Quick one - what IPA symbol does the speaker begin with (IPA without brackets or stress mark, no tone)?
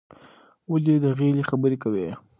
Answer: w